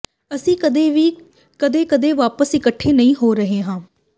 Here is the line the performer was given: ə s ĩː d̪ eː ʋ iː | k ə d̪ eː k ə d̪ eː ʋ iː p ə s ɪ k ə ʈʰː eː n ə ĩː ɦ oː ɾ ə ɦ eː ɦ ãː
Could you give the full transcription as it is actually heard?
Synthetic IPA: ə s ĩː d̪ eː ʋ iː | k ə d̪ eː k ə d̪ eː ʋ aː p ə s ɪ k ə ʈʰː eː n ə ĩː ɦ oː ɾ ə ɦ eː ɦ ãː

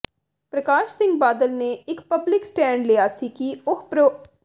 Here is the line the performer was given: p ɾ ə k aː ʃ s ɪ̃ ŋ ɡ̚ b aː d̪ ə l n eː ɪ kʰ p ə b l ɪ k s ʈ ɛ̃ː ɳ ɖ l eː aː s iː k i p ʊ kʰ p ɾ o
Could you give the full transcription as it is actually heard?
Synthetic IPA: p ɾ ə k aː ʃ s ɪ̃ ŋ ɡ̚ b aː d̪ ə l n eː ɪ k p ə b l ɪ k s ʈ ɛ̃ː ɳ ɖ l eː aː s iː k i ʊ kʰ p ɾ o

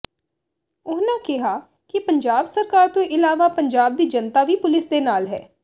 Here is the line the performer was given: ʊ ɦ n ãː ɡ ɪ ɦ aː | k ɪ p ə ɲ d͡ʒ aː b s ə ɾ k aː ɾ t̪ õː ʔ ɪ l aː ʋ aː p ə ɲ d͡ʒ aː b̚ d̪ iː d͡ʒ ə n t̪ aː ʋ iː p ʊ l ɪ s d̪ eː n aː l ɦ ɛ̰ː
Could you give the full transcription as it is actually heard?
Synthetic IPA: ʊ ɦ n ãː k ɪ ɦ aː | k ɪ p ə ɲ d͡ʒ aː b s ə ɾ k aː ɾ t̪ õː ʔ ɪ l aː ʋ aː p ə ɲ d͡ʒ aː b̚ d̪ iː d͡ʒ ə n t̪ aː ʋ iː p ʊ l ɪ s d̪ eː n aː l ɦ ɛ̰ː

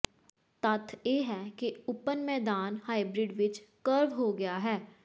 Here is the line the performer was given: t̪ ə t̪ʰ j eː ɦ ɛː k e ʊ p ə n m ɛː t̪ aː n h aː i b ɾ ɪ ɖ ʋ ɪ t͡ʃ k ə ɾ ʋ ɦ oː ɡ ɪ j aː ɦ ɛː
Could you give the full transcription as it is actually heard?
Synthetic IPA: t̪ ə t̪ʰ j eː ɦ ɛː k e ʊ p ə n m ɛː d̪ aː n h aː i b ɾ ɪ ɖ ʋ ɪ t͡ʃ k ə ɾ ʋ ɦ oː ɡ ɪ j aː ɦ ɛː

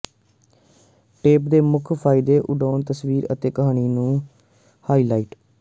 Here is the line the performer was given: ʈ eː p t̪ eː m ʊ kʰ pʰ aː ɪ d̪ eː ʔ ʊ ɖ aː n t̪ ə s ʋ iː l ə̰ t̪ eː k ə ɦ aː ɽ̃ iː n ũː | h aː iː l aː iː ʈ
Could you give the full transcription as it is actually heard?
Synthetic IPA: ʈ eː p d̪ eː m ʊ kʰ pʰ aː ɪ d̪ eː ʔ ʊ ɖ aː n t̪ ə s ʋ iː ɾ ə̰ t̪ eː k ə ɦ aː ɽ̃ iː n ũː | h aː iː l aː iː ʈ

